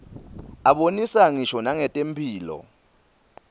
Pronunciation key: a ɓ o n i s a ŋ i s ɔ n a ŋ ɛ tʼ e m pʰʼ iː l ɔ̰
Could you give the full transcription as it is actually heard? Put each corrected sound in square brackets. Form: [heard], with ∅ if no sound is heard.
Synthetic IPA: a ɓ o n i s a ŋ i [ʃ] ɔ n a ŋ ɛ tʼ e m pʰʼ iː l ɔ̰